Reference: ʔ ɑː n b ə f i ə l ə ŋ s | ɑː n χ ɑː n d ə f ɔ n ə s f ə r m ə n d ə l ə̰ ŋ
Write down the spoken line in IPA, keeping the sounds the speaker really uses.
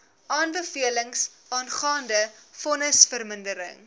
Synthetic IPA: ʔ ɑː n b ə f i ə l ə ŋ s | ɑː n χ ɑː n d ə f ɔ n ə s f ə r m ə n d ə ɾ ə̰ ŋ